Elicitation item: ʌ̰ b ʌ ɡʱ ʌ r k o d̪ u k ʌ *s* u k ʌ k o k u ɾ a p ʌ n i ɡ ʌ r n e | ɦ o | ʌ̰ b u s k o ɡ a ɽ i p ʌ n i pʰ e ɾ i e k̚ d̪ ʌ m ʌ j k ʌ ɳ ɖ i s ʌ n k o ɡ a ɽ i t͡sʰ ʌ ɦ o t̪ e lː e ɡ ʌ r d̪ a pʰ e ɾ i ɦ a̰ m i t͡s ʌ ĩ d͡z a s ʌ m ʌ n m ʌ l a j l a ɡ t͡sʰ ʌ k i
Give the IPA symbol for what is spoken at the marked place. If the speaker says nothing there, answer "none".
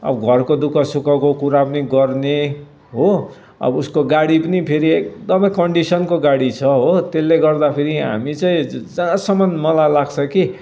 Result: s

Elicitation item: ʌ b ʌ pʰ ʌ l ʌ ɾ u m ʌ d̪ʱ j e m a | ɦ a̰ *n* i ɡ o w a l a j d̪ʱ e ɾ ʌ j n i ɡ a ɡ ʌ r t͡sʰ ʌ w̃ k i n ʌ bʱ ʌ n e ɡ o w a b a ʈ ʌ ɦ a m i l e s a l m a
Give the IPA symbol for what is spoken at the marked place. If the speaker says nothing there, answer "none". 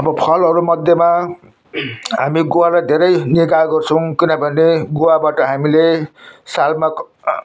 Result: m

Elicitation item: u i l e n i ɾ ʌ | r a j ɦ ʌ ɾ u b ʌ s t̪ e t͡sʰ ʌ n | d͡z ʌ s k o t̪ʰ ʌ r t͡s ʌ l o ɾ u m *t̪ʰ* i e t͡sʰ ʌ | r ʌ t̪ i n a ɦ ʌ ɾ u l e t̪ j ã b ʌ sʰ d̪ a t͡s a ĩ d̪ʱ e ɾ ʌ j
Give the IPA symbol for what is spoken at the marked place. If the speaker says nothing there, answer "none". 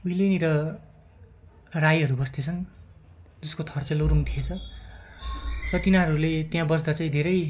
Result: t̪ʰ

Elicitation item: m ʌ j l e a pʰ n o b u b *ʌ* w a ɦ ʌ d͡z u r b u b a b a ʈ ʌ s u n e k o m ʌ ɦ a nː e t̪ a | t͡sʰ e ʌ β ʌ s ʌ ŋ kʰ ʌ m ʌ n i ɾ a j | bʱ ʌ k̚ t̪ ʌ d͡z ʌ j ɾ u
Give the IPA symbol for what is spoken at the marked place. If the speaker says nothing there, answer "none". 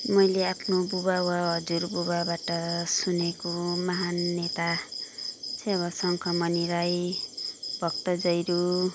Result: a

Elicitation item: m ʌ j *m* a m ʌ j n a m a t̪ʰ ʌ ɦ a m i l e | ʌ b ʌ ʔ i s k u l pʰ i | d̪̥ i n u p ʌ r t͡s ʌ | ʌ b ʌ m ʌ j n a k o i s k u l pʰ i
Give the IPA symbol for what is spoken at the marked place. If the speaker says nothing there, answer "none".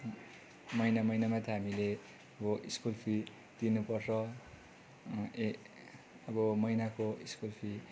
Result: n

